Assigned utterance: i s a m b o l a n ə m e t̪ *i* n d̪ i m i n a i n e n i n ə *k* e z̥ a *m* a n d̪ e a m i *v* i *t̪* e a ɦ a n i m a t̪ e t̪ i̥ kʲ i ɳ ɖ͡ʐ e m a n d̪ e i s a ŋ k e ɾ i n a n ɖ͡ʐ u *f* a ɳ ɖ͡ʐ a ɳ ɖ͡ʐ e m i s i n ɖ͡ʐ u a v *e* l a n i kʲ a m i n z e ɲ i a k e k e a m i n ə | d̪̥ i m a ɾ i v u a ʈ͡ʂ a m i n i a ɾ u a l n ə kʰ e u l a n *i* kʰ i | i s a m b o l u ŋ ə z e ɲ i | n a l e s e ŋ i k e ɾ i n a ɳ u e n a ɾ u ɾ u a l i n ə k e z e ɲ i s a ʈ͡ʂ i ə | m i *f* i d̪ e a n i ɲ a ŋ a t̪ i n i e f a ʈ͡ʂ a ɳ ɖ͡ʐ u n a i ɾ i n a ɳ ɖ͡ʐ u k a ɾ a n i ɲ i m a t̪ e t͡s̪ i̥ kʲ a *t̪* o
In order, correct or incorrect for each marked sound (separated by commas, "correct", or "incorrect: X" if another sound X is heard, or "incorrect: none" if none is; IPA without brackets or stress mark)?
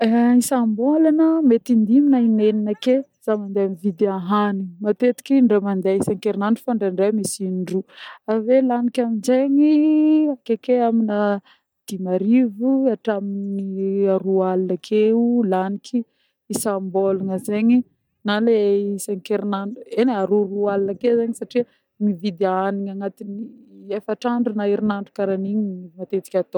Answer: correct, correct, correct, correct, incorrect: d̪, correct, correct, correct, incorrect: v, correct